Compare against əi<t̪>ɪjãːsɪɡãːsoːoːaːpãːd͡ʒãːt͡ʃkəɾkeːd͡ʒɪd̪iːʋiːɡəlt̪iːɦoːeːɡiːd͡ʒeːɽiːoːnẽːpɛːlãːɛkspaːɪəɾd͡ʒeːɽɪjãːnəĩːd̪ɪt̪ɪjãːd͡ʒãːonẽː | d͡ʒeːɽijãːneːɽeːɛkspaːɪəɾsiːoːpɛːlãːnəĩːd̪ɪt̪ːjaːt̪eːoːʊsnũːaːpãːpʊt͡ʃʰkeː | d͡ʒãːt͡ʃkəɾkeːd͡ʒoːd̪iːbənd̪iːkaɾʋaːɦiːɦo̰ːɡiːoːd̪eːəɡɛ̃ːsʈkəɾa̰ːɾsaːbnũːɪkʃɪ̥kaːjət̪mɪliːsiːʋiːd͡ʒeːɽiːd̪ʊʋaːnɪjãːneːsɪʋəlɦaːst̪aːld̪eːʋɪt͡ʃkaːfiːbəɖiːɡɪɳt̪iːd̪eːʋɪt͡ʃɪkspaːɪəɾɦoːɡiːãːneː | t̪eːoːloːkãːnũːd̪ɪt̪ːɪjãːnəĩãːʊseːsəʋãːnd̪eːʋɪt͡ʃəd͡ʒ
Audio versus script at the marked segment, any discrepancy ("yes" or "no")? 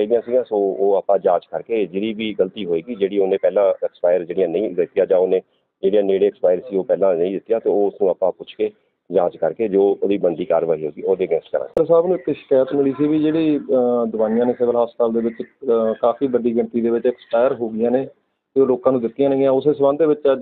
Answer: yes